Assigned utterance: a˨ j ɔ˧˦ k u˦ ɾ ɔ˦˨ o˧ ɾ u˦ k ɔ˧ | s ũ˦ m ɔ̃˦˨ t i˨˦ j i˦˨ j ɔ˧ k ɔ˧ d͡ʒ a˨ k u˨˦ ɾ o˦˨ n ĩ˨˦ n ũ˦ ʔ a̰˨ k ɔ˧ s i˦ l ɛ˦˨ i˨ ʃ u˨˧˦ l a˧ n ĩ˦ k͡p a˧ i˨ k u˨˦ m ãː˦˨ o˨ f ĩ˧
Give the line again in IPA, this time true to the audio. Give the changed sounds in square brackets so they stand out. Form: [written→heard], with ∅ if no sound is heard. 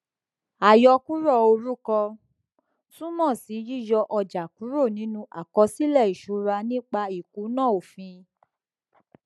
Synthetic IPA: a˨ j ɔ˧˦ k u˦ ɾ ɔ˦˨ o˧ ɾ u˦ k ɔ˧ | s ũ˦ m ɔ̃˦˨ [t→s] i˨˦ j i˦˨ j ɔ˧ [k→ʔ] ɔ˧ d͡ʒ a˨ k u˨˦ ɾ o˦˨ n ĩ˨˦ n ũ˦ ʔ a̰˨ k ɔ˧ s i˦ l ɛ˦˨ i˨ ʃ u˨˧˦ [l→ɾ] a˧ n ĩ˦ k͡p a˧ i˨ k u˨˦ [m→n] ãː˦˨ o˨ f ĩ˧

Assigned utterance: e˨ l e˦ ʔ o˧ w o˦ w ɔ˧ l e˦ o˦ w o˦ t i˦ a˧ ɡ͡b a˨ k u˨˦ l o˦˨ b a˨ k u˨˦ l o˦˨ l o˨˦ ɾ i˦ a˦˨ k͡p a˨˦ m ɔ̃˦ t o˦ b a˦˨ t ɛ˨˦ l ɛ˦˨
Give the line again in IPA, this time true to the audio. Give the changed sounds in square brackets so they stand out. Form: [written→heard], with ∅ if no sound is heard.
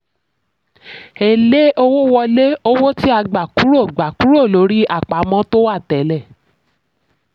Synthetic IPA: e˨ l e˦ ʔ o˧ w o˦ w ɔ˧ l e˦ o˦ w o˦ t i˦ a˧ ɡ͡b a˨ k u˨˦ [l→ɾ] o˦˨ [b→ɡ͡b] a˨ k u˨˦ [l→ɾ] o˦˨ l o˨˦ ɾ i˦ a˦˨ k͡p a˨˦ m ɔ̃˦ t o˦ [b→w] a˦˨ t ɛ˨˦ l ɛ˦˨

